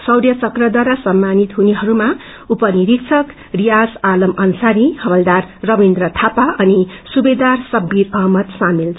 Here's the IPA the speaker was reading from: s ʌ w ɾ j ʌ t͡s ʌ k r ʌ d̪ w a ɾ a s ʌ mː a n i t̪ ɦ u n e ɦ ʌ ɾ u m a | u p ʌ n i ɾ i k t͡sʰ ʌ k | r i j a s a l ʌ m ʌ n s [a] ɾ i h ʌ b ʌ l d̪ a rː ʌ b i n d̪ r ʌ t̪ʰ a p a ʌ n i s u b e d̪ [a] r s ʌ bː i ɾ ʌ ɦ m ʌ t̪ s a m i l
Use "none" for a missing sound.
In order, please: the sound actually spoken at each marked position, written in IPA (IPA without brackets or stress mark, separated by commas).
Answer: a, a